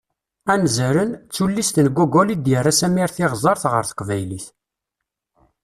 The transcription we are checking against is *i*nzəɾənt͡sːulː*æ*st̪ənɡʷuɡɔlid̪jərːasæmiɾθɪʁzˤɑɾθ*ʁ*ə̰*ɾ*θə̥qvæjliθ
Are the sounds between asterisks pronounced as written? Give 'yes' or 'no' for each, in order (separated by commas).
no, no, yes, yes